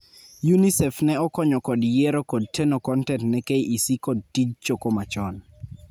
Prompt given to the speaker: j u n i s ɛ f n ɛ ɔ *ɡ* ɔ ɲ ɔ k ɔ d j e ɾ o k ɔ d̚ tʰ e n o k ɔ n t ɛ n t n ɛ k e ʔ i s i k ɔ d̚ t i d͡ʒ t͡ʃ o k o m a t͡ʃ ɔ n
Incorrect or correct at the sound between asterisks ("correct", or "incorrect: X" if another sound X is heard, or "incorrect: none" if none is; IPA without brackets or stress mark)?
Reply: incorrect: k